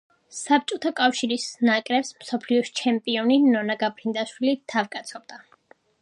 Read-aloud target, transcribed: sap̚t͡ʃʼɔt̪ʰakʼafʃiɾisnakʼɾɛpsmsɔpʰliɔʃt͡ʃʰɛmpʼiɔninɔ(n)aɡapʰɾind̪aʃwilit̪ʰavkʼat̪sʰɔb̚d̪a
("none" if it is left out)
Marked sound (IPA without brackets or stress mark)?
n